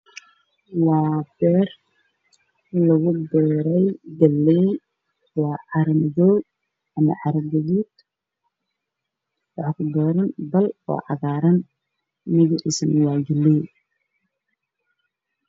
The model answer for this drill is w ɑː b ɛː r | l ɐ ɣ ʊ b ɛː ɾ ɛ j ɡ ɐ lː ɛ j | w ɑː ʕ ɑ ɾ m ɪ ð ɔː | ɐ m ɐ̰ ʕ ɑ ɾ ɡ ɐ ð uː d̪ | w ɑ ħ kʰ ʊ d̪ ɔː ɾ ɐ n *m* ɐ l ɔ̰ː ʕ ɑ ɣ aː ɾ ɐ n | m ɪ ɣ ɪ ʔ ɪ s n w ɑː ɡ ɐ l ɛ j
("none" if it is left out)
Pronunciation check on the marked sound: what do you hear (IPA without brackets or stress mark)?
b